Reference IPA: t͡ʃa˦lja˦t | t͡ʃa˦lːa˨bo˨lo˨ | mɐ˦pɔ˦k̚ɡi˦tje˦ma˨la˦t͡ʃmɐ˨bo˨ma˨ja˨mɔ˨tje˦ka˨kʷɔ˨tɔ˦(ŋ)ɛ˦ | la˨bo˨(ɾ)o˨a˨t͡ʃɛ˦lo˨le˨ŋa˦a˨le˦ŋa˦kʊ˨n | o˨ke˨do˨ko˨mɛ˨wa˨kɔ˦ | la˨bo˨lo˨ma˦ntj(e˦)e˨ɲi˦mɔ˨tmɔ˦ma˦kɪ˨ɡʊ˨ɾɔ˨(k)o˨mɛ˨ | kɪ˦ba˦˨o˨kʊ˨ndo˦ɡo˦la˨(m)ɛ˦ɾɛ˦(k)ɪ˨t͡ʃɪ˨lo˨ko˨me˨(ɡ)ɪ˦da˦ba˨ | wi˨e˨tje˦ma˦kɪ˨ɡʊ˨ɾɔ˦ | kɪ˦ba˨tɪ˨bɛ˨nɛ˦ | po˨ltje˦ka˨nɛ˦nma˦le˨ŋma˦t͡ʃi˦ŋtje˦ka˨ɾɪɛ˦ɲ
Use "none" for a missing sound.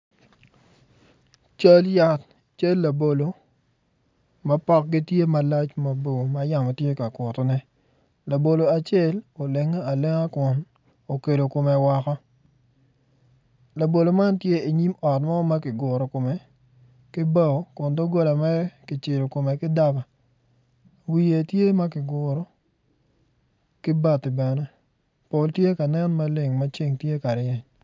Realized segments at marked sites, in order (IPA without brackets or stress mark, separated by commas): n, l, e˦, k, m, k, k